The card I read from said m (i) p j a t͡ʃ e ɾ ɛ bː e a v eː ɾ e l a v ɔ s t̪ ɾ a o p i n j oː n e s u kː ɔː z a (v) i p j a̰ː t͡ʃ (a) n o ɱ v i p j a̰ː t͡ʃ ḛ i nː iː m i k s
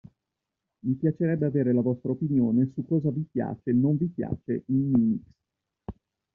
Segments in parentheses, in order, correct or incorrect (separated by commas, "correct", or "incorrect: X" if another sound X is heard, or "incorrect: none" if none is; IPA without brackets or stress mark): correct, correct, incorrect: e